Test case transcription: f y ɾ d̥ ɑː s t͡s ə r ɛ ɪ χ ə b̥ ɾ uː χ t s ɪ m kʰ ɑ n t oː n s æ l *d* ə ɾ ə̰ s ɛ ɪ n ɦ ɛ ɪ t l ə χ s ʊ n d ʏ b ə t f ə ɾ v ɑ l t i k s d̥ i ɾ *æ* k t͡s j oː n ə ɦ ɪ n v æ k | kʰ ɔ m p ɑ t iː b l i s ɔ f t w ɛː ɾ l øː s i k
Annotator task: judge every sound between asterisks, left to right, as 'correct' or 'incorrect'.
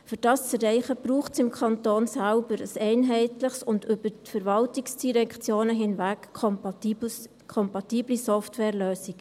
incorrect, incorrect

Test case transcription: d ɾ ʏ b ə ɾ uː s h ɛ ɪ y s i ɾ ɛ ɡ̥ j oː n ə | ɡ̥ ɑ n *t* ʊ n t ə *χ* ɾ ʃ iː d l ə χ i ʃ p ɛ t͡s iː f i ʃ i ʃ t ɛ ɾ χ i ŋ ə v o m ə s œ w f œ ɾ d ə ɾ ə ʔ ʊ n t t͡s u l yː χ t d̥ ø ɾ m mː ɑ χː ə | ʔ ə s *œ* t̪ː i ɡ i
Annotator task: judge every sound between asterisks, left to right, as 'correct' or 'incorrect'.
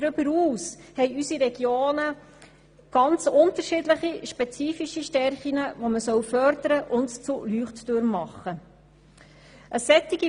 incorrect, incorrect, incorrect

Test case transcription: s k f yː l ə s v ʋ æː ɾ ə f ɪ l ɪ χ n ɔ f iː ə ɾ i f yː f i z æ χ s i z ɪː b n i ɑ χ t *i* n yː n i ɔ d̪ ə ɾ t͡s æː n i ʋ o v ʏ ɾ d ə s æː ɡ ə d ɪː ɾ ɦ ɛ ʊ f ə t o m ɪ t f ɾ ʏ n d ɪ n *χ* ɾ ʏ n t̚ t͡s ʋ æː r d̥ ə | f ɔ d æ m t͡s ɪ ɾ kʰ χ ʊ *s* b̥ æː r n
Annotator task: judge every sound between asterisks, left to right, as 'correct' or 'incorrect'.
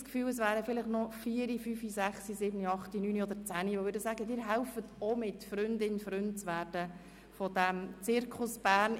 correct, incorrect, correct

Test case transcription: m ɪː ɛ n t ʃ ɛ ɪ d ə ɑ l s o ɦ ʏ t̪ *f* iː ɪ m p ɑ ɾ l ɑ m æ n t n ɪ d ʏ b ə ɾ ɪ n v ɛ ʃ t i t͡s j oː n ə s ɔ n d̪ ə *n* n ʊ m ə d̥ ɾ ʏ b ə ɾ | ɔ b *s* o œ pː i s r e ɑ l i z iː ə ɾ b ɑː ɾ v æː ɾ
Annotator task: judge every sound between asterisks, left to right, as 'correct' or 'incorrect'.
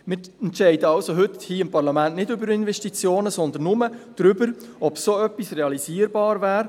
incorrect, correct, correct

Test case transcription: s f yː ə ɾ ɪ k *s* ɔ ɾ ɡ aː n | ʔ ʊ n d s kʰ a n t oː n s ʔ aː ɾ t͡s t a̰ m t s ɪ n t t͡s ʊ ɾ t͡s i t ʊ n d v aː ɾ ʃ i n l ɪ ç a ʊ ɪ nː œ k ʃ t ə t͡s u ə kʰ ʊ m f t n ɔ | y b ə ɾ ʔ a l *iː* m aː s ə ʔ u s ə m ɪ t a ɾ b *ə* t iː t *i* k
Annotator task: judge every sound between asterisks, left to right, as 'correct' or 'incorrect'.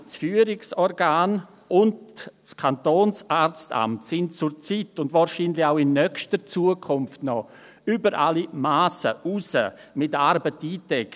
correct, incorrect, correct, incorrect

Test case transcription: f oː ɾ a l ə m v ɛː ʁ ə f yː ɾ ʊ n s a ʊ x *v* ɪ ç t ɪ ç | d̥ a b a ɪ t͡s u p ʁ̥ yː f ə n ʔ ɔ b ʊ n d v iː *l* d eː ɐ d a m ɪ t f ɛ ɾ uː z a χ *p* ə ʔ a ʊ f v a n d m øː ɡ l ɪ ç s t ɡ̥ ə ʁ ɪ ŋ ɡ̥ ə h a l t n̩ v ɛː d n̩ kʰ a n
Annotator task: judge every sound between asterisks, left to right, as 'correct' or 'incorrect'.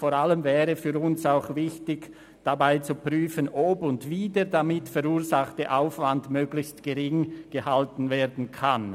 correct, incorrect, incorrect

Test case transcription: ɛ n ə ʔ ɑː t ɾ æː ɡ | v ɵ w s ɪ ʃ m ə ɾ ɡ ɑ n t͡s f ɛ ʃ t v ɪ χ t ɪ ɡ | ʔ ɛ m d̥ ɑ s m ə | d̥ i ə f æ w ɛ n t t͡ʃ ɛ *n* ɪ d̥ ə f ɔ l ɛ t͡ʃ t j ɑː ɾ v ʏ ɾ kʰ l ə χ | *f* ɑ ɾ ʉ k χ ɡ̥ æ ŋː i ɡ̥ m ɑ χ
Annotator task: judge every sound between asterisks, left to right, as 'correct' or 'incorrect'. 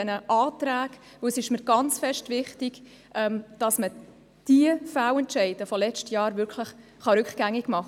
incorrect, incorrect

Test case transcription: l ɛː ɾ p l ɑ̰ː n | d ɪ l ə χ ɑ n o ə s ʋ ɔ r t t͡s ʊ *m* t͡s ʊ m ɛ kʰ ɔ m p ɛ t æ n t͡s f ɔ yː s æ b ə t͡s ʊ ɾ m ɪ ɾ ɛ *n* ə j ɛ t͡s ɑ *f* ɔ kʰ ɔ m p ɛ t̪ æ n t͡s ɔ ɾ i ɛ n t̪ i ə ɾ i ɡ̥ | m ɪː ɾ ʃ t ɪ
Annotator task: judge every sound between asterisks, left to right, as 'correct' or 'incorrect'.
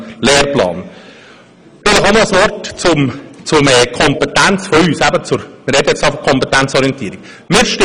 correct, incorrect, correct

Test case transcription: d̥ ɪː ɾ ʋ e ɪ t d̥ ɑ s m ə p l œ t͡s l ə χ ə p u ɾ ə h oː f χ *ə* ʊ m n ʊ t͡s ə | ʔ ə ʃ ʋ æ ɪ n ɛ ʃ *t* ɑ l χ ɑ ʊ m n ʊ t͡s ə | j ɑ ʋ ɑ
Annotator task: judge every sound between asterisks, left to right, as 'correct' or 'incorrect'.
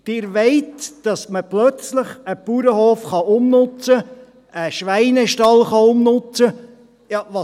incorrect, correct

